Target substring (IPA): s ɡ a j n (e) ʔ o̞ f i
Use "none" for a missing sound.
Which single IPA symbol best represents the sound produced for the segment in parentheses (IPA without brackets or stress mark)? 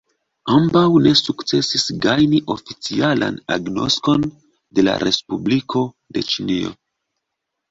i